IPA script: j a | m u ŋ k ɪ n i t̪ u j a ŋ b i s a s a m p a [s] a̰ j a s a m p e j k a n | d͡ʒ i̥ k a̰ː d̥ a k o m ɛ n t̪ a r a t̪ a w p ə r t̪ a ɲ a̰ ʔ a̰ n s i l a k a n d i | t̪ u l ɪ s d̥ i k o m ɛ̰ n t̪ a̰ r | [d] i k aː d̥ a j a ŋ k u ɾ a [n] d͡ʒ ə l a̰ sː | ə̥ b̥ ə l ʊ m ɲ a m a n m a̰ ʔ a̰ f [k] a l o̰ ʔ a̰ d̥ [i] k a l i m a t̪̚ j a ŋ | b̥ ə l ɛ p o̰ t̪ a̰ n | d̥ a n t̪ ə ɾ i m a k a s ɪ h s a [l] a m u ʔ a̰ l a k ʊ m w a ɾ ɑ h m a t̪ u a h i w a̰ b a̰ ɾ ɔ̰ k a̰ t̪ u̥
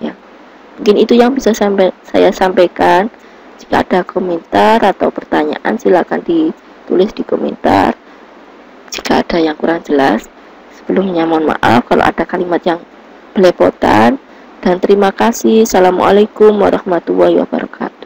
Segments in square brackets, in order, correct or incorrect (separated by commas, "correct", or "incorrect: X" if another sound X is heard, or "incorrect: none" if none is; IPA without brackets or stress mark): correct, incorrect: d͡ʒ, incorrect: ŋ, correct, incorrect: a, correct